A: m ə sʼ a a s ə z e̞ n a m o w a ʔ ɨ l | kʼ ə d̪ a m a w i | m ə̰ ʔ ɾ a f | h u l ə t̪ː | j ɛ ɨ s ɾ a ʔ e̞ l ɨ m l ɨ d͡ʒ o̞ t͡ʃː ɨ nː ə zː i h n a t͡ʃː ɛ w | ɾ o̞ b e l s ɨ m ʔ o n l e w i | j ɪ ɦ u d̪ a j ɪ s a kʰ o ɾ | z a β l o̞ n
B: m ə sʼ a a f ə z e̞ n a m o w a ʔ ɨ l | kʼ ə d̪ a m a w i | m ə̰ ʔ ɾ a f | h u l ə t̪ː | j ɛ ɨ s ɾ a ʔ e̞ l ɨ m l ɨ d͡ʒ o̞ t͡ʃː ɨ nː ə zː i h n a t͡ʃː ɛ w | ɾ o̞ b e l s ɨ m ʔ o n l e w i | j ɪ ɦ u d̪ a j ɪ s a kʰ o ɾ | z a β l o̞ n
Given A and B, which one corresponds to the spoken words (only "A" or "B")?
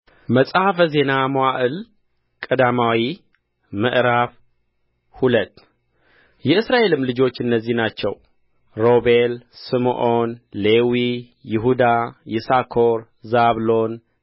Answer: B